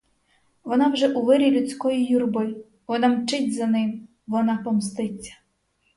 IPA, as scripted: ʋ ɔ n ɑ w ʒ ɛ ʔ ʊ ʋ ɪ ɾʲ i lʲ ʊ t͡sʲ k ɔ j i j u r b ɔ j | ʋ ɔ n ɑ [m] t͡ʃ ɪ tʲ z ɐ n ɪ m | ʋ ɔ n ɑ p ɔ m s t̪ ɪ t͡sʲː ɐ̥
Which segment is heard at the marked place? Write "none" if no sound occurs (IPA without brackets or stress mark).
m